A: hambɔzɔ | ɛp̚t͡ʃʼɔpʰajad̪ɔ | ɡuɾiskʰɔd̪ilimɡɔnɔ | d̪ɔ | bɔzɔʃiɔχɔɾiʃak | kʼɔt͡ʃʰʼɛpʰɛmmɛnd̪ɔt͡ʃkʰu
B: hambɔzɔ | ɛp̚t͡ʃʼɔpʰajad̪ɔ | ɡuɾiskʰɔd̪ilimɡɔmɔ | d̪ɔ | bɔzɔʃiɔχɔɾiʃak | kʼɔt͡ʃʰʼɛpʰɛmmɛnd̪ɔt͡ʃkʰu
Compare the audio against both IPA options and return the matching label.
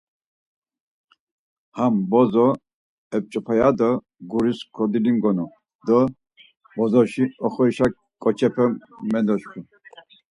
A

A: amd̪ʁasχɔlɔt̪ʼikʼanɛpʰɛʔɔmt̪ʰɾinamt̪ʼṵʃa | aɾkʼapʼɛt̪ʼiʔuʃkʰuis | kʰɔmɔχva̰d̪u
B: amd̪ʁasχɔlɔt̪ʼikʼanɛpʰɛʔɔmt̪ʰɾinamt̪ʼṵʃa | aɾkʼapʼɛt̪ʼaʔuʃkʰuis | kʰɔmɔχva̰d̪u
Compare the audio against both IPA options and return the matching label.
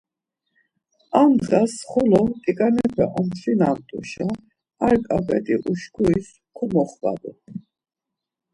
A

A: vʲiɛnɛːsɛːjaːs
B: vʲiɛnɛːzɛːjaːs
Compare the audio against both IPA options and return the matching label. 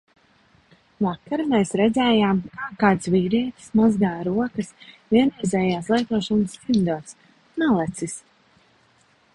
B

